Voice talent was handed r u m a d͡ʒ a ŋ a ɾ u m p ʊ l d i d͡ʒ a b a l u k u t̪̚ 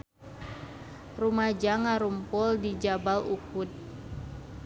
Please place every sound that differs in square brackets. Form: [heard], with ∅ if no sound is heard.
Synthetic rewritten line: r u m a d͡ʒ a ŋ a ɾ u m p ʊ l d i d͡ʒ a b a l u k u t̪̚